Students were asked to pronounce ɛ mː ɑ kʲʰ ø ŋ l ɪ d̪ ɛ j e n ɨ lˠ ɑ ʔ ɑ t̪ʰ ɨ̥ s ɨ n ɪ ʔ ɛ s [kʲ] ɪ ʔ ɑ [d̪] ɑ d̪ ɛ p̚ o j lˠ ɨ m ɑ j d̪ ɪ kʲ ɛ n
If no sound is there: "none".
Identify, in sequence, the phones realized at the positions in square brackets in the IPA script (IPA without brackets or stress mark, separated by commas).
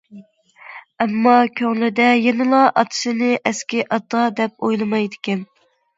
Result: kʲ, t̪